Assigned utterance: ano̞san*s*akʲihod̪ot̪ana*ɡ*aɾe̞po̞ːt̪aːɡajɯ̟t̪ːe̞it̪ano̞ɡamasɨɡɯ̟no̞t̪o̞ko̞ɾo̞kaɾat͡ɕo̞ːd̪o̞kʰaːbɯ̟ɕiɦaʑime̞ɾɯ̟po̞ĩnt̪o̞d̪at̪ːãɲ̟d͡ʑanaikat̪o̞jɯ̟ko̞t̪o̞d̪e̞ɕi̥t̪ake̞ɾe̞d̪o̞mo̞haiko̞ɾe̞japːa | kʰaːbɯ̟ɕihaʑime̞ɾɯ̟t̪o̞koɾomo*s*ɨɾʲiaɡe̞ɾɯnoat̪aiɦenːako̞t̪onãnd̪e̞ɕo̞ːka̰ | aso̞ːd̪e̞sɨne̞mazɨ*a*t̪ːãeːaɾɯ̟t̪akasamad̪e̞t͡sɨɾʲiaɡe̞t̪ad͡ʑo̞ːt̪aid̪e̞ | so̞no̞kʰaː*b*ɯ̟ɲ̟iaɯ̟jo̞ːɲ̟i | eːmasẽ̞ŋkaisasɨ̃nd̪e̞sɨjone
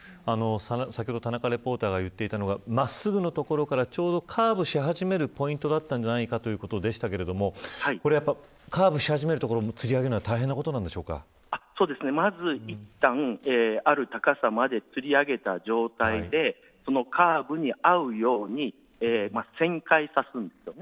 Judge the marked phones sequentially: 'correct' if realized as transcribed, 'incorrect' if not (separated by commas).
correct, incorrect, incorrect, incorrect, correct